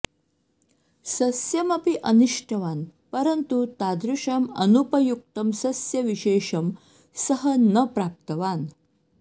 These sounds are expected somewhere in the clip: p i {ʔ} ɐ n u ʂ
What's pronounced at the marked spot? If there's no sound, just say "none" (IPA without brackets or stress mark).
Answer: ʔ